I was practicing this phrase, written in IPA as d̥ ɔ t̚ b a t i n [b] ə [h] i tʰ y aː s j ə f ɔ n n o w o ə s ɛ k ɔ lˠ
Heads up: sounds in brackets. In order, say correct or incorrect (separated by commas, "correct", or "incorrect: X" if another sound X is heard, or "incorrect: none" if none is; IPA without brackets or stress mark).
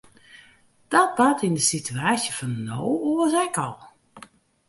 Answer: incorrect: d, incorrect: s